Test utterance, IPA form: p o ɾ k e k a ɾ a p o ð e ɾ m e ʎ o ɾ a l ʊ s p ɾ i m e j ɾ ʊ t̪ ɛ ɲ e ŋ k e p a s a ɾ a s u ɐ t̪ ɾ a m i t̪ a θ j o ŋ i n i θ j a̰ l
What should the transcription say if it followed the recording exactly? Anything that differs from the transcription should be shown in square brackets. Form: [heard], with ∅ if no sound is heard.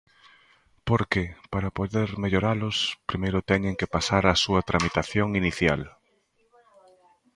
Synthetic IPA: p o ɾ k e [p] a ɾ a p o ð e ɾ m e ʎ o ɾ a l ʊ s p ɾ i m e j ɾ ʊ t̪ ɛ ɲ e ŋ k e p a s a ɾ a s u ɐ t̪ ɾ a m i t̪ a θ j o ŋ i n i θ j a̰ l